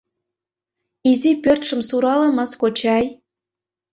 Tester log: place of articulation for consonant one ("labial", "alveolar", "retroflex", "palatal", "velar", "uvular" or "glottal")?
alveolar